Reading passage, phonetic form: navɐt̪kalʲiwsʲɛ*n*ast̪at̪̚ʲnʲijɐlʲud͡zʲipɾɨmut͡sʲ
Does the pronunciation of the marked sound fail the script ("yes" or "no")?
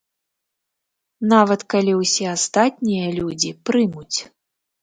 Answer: yes